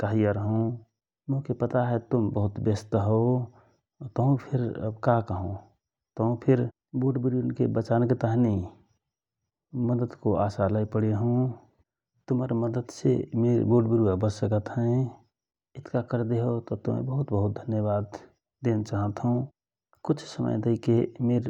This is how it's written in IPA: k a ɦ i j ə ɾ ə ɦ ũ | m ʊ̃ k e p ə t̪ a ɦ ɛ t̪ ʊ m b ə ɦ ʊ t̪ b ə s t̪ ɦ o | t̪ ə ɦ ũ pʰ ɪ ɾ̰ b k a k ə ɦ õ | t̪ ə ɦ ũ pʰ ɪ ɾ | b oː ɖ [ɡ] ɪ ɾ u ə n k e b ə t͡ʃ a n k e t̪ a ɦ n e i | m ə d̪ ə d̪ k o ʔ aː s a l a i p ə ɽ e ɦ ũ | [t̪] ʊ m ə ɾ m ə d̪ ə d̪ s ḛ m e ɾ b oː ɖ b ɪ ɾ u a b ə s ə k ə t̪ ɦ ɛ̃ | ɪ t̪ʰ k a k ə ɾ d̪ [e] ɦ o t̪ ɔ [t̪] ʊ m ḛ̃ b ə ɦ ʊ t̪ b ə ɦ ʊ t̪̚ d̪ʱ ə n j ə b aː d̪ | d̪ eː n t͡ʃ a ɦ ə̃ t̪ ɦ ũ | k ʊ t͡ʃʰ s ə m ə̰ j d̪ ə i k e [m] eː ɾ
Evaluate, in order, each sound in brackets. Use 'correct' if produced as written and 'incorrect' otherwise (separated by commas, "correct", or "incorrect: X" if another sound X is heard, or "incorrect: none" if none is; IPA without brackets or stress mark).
incorrect: b, correct, correct, correct, correct